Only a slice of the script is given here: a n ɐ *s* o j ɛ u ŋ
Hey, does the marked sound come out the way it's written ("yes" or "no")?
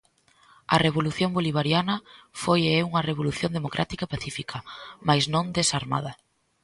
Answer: no